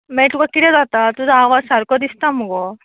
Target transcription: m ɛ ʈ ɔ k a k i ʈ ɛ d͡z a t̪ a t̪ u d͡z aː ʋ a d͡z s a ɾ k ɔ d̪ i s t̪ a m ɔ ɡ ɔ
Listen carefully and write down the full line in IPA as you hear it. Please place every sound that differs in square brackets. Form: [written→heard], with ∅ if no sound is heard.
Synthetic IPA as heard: m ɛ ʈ [ɔ→u] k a k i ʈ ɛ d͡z a t̪ a t̪ u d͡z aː ʋ a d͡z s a ɾ k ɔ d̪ i s t̪ a m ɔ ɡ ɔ